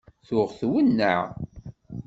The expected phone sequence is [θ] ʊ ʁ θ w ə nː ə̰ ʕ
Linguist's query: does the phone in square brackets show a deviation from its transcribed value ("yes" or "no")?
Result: no